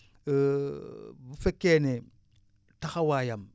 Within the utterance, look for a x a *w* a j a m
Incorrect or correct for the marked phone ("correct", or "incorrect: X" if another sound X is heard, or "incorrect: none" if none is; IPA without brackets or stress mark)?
correct